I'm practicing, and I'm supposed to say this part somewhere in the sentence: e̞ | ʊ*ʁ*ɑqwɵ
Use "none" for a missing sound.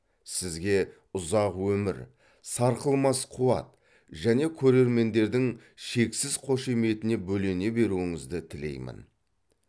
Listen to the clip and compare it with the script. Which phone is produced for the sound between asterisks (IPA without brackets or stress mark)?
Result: z